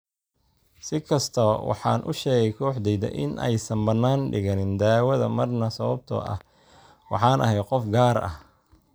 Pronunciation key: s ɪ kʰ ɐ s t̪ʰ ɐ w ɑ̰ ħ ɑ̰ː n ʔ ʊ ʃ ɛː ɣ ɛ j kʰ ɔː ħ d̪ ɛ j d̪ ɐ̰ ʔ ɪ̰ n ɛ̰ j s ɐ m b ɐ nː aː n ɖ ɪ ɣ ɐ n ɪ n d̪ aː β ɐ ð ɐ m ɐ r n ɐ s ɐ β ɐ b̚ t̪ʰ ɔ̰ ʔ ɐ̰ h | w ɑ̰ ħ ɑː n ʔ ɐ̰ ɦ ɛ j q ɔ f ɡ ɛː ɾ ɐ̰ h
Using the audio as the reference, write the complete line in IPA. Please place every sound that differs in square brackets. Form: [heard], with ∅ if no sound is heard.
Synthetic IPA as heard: s ɪ kʰ ɐ s t̪ʰ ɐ w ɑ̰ ħ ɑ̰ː n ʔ ʊ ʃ ɛː ɣ ɛ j kʰ ɔː ħ d̪ ɛ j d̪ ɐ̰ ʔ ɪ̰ n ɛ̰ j s ɐ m b ɐ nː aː n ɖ ɪ ɣ ɐ n ɪ n d̪ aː [w] ɐ ð ɐ m ɐ r n ɐ s ɐ β ɐ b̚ t̪ʰ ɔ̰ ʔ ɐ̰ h | w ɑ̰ ħ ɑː n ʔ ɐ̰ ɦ ɛ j q ɔ f ɡ [aː] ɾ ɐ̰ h